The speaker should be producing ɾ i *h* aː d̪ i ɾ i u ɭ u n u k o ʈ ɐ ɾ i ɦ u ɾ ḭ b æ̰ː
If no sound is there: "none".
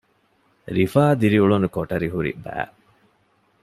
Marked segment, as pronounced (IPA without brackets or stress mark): f